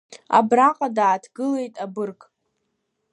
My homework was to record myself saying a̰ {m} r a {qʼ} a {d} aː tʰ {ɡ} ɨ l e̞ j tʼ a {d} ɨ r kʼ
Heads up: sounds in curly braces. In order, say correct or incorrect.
incorrect: b, correct, correct, correct, incorrect: b

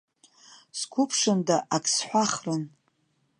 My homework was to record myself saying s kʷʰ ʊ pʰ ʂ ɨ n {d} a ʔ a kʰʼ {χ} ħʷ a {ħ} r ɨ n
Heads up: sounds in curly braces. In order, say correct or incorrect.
correct, incorrect: s, incorrect: χ

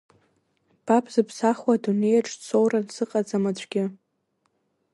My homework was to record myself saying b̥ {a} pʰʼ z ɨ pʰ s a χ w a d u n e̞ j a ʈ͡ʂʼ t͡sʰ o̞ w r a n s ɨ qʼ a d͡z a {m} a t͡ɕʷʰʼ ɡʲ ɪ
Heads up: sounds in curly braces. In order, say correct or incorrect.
correct, correct

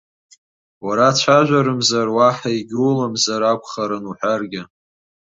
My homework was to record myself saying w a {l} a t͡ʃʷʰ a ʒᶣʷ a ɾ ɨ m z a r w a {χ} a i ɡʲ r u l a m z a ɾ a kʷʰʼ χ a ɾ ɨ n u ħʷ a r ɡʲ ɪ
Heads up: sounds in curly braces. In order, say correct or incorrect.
incorrect: ɾ, incorrect: ħ

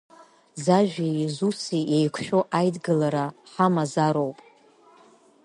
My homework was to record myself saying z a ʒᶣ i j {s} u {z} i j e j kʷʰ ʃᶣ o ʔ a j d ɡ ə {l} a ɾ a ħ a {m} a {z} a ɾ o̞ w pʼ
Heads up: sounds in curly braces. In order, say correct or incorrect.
incorrect: z, incorrect: s, correct, correct, correct

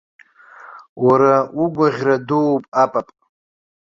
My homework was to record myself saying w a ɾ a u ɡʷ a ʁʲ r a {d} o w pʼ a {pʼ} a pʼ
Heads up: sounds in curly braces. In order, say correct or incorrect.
correct, correct

